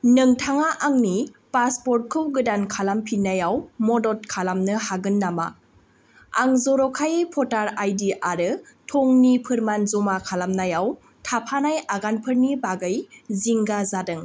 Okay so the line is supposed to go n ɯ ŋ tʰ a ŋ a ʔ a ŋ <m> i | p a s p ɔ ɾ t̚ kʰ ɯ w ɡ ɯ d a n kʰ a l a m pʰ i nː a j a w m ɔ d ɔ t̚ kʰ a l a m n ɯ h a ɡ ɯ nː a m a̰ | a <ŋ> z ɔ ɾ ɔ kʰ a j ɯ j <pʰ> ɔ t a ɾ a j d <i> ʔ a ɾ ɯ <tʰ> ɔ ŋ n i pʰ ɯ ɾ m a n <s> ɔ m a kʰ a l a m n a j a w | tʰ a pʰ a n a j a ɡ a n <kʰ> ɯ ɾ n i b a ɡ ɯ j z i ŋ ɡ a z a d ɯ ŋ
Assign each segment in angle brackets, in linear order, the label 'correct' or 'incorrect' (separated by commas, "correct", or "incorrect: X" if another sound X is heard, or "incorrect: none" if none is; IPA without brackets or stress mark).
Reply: incorrect: n, correct, correct, correct, correct, incorrect: z, incorrect: pʰ